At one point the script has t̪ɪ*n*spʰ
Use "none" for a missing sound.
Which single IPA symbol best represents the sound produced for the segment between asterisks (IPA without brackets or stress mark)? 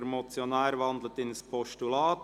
n